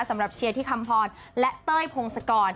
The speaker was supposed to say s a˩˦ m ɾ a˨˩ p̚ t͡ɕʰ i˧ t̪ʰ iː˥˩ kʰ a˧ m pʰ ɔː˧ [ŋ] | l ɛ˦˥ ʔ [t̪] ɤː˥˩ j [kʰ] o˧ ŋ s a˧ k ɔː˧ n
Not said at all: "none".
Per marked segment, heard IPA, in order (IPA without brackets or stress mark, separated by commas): n, t̪, pʰ